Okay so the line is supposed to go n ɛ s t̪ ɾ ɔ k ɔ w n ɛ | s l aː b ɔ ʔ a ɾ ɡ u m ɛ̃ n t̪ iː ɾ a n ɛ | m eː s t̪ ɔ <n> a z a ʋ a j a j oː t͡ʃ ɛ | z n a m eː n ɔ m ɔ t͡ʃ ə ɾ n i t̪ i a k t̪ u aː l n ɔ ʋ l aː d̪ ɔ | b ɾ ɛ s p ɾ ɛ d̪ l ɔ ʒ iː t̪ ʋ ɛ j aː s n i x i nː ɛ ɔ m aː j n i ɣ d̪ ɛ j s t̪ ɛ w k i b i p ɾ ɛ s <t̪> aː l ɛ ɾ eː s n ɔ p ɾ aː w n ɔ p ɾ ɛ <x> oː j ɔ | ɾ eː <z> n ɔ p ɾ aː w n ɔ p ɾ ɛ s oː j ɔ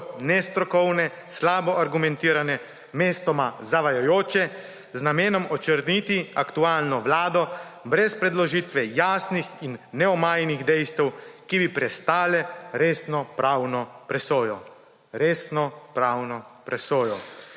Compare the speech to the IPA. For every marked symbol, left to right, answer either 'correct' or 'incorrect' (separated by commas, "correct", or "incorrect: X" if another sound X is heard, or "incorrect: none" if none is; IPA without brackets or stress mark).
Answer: incorrect: m, correct, incorrect: s, incorrect: s